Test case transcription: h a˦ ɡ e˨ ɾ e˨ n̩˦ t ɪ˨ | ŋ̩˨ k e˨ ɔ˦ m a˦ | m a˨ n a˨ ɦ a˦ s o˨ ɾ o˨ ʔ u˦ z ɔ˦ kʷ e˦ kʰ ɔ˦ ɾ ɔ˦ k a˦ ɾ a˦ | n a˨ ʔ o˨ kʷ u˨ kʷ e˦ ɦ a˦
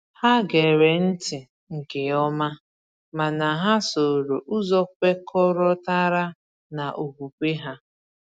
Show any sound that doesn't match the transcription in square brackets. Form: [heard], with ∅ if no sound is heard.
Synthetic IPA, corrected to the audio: h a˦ ɡ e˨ ɾ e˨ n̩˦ t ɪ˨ | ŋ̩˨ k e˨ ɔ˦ m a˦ | m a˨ n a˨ ɦ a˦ s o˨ ɾ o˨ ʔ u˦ z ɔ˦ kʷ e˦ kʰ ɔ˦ ɾ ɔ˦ [t] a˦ ɾ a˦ | n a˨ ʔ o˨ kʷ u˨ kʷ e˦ ɦ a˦

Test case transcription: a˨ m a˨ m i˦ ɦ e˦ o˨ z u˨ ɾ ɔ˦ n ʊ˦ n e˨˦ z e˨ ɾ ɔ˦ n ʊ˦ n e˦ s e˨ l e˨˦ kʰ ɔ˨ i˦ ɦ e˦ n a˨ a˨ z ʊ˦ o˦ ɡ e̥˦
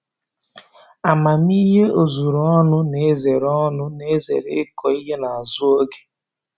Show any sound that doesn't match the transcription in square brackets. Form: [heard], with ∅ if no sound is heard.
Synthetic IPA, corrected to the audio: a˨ m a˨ m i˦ ɦ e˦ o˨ z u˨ ɾ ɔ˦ n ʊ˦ n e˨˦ z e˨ ɾ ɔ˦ n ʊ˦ n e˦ [z] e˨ [ɾ] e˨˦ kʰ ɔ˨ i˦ ɦ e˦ n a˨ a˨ z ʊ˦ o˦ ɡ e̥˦

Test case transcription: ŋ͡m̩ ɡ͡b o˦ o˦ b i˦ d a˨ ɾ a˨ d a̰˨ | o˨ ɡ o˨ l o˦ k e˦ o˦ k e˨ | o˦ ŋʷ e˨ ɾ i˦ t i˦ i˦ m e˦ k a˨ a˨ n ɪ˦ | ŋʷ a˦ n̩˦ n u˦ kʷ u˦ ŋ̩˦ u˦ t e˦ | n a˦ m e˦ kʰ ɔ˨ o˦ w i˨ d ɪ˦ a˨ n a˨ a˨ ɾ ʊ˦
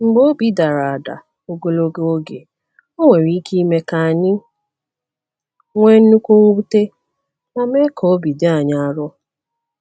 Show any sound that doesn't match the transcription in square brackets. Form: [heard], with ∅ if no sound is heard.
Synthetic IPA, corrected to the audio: ŋ͡m̩ ɡ͡b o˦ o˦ b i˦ d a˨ ɾ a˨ d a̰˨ | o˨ ɡ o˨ l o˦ [ɡ] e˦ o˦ [ɡ] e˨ | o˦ ŋʷ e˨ ɾ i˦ [k] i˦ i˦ m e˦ k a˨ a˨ [ɲ] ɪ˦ | ŋʷ [e˦] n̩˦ n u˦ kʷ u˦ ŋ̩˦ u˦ t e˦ | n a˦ m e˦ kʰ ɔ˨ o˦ [b] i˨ d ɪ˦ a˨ [ɲ] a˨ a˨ ɾ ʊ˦

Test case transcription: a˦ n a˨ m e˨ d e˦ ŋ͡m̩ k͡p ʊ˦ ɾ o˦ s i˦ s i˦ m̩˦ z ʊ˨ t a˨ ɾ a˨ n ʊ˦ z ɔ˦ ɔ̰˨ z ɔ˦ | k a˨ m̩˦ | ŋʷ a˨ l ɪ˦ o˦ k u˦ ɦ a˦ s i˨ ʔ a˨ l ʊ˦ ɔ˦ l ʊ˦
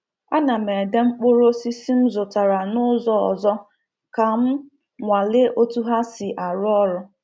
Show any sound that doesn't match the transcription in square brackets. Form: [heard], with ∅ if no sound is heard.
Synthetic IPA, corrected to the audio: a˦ n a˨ m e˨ d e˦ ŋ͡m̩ k͡p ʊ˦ ɾ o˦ s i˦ s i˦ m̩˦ z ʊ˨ t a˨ ɾ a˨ n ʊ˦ z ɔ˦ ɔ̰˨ z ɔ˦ | k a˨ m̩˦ | ŋʷ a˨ l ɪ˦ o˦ [t] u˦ ɦ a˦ s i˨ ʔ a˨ [ɾ] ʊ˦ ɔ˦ [ɾ] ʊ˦

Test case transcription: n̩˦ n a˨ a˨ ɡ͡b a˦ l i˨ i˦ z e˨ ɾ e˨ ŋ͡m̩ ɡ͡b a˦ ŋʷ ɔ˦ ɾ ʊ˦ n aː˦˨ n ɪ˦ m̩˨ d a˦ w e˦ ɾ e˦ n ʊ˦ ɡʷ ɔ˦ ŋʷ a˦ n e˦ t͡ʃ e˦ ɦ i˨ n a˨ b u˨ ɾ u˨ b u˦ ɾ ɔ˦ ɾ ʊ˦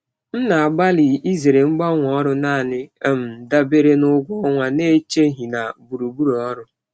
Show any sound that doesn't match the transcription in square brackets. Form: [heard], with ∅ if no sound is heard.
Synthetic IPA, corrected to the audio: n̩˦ n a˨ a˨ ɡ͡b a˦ l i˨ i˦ z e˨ ɾ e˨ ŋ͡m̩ ɡ͡b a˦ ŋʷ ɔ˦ ɾ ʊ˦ n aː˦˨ n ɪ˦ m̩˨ d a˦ [b] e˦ ɾ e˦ n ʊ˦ ɡʷ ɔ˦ ŋʷ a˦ n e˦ t͡ʃ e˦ ɦ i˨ n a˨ b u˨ ɾ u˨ b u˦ ɾ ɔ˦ ɾ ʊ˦

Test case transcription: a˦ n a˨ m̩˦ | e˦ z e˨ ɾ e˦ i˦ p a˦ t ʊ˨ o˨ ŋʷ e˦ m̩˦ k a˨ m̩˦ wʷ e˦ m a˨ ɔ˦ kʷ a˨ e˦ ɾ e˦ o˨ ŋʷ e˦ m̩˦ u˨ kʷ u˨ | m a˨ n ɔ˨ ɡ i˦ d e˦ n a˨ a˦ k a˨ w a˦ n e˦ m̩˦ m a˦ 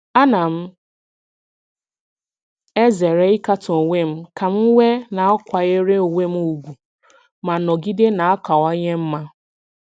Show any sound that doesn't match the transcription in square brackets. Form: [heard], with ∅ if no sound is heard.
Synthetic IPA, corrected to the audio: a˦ n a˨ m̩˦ | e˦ z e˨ ɾ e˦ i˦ [k] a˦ t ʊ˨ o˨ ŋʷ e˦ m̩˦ k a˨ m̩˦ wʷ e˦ [n] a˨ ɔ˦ kʷ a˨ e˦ ɾ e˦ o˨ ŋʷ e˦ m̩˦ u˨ [ɡʷ] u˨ | m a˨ n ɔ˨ ɡ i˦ d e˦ n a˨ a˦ k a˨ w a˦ [ɲ] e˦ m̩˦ m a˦

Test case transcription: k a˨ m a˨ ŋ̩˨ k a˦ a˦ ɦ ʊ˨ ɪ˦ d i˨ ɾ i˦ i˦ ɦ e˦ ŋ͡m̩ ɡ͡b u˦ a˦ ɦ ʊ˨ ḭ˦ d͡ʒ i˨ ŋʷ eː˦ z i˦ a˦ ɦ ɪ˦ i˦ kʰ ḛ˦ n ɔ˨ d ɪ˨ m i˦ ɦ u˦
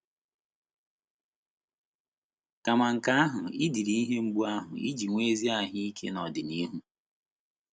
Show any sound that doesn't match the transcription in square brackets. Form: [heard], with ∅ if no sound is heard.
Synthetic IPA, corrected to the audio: k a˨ m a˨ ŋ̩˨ k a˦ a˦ ɦ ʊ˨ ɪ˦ d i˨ ɾ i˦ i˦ ɦ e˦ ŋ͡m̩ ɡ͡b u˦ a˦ ɦ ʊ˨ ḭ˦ d͡ʒ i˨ ŋʷ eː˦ z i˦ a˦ ɦ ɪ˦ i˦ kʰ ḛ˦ n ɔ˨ d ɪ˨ [n] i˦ ɦ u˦

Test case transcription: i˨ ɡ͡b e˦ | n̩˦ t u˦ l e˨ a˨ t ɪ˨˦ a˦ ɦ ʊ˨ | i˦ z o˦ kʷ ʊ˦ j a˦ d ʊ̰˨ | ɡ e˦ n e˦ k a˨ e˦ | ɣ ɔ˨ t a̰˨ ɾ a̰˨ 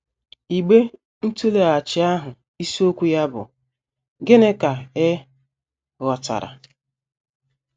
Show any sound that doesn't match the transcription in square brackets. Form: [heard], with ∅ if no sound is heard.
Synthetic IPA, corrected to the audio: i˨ ɡ͡b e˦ | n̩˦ t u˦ l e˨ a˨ [t͡ʃ] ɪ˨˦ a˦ ɦ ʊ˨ | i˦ [s] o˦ kʷ [u˦] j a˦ [b] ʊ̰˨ | ɡ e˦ n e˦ k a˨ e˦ | ɣ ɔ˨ t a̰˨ ɾ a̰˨

